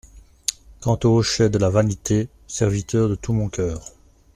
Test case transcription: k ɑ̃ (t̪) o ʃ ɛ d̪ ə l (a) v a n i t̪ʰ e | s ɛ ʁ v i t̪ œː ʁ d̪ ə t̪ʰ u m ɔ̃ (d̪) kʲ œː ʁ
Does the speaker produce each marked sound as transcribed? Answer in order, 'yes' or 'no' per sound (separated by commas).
yes, yes, no